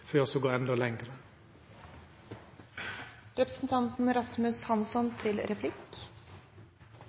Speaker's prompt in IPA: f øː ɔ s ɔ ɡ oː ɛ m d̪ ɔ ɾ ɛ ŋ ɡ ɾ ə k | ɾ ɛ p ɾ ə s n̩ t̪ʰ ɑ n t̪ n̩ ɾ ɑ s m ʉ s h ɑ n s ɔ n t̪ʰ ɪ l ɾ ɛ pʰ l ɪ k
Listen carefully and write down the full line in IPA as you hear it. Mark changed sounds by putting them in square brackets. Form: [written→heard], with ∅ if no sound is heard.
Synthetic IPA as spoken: f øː ɔ s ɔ ɡ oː ɛ [m→n] d̪ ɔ [ɾ→l] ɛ ŋ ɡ ɾ ə [k→∅] | ɾ ɛ p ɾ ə s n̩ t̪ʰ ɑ n t̪ n̩ ɾ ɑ s m ʉ s h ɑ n s ɔ n t̪ʰ ɪ l ɾ ɛ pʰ l ɪ k